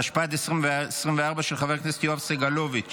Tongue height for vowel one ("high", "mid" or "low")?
low